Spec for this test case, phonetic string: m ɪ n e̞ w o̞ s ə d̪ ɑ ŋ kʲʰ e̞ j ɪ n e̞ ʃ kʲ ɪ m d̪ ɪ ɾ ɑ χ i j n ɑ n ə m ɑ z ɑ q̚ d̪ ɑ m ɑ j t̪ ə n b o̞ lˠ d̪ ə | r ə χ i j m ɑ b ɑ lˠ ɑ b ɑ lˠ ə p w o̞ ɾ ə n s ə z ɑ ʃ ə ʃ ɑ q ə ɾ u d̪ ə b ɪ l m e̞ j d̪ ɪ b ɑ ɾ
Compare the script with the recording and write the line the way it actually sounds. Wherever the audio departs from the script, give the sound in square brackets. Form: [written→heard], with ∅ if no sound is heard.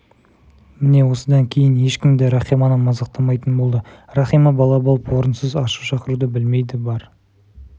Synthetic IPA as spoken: m ɪ n e̞ w o̞ s ə d̪ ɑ ŋ kʲʰ e̞ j ɪ n e̞ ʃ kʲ ɪ m d̪ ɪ ɾ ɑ χ i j [n→m] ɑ n ə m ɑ z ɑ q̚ [d̪→t̪] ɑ m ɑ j t̪ ə n b o̞ lˠ d̪ ə | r [ə→ɑ] χ i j m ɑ b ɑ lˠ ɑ b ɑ lˠ ə p w o̞ ɾ ə n s ə z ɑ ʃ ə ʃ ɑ q ə ɾ u d̪ ə b ɪ l m e̞ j d̪ ɪ b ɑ ɾ